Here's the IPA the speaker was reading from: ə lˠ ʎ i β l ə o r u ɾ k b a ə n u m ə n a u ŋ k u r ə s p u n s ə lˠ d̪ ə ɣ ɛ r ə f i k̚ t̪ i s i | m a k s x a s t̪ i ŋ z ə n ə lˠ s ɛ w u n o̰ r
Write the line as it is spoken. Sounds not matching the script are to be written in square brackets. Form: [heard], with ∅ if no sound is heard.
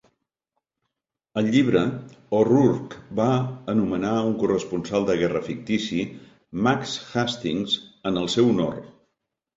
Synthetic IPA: ə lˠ ʎ i β [ɾ] ə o r u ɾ k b a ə n u m ə n a u ŋ k u r ə s p u n s [a] lˠ d̪ ə ɣ ɛ r ə f i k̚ t̪ i s i | m a k s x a s t̪ i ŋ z ə n ə lˠ s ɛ w u n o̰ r

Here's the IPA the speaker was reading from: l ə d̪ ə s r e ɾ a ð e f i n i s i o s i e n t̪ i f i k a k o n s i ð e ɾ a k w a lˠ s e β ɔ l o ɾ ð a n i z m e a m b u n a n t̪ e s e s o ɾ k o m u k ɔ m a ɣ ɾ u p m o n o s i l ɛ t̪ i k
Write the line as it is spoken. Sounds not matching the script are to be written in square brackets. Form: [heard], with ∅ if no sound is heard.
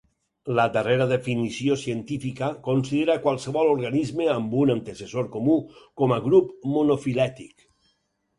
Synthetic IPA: l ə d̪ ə [∅] r e ɾ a ð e f i n i s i o s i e n t̪ i f i k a k o n s i ð e ɾ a k w a lˠ s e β ɔ l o ɾ [ɣ] a n i z m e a m b u n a n t̪ e s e s o ɾ k o m u k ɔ m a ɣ ɾ u p m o n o [f] i l ɛ t̪ i k

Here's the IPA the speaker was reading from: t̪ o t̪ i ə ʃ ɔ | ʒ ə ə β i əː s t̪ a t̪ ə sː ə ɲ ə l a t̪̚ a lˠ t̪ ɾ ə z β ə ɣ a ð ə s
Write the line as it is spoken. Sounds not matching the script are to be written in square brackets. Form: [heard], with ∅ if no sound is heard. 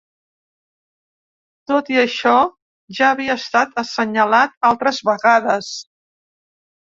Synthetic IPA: t̪ o t̪ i ə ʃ ɔ | ʒ [a] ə β i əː s t̪ a t̪ ə [s] ə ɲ ə l a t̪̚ a lˠ t̪ ɾ ə z β ə ɣ a ð ə s

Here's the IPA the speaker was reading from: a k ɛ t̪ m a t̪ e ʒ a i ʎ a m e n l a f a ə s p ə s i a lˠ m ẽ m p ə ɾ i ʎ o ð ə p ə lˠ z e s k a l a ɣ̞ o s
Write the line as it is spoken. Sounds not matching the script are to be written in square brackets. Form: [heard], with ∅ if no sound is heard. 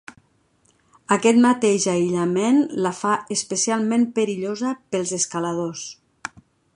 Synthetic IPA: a k ɛ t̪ m a t̪ e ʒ a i ʎ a m e n l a f a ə s p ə s i a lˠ m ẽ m p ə ɾ i ʎ o [z] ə p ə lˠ z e s k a l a [ð̞] o s

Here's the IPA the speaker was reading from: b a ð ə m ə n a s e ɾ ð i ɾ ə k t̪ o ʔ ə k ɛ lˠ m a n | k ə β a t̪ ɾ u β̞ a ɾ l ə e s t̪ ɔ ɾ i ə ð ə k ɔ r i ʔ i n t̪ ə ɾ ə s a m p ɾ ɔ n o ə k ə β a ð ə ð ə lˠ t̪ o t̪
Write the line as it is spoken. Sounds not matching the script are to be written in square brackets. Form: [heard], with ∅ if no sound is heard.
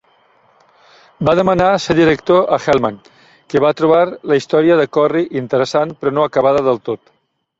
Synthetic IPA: b a ð ə m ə n a s e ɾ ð i ɾ ə k t̪ o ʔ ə [x] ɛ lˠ m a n | k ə β a t̪ ɾ u β̞ a ɾ l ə [i] s t̪ ɔ ɾ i ə ð ə k ɔ r i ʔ i n t̪ ə ɾ ə s a [n] p ɾ ɔ n o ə k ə β a ð ə ð ə lˠ t̪ o t̪

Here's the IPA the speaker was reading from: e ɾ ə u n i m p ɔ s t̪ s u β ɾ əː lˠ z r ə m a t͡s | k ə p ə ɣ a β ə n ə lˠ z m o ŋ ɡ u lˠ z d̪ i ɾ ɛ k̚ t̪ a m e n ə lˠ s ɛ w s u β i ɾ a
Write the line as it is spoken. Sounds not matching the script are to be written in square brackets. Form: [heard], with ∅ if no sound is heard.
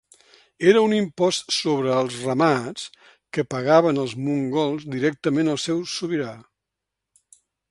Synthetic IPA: e ɾ ə u n i m p ɔ s t̪ s [o] β ɾ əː lˠ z r ə m a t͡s | k ə p ə ɣ a β ə n ə lˠ z m [u] ŋ ɡ [ɔ] lˠ z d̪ i ɾ ɛ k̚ t̪ [ə] m e n ə lˠ s ɛ w s u β i ɾ a

